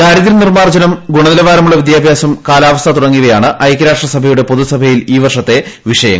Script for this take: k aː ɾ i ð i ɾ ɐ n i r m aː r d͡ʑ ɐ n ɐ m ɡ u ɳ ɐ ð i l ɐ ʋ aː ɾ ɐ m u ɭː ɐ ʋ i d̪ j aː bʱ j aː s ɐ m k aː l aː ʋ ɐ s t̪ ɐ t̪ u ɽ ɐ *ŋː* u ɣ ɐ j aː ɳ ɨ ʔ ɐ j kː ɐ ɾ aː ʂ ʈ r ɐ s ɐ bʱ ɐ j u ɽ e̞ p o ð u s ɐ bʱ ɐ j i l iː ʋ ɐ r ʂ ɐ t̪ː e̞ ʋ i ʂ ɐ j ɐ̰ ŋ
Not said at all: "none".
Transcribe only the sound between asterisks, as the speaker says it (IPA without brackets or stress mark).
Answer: ŋː